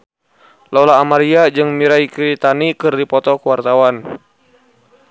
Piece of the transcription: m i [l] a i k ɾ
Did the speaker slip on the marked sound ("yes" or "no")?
yes